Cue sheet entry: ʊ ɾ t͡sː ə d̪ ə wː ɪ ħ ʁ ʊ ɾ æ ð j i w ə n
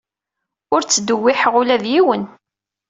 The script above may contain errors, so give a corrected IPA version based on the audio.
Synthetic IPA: ʊ ɾ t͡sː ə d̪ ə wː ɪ ħ ʁ ʊ l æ ð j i w ə n